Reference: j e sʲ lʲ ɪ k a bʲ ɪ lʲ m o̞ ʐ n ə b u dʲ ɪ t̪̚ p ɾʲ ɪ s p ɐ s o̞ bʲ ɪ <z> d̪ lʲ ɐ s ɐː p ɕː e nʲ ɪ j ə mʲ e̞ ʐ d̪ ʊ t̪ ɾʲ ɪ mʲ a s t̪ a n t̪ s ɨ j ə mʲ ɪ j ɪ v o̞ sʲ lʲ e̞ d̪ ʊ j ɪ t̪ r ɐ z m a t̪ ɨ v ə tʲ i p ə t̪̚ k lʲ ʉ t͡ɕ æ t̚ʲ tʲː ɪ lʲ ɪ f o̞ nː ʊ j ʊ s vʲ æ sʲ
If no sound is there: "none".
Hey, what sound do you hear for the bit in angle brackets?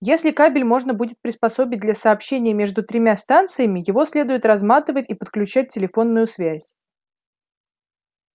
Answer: none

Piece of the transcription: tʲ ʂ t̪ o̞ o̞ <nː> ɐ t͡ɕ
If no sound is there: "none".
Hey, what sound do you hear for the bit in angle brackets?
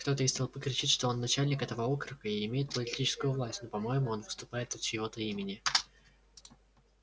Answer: nː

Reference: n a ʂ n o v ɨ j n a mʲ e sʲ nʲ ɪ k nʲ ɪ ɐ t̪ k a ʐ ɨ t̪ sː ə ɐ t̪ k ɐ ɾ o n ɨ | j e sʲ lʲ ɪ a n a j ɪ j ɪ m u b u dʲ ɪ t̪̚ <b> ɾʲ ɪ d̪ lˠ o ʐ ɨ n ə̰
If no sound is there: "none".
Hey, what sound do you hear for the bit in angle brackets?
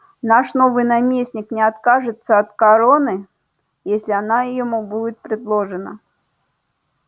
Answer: p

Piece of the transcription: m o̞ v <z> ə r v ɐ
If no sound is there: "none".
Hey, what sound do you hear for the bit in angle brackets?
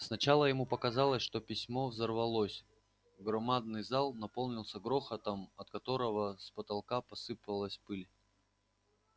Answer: z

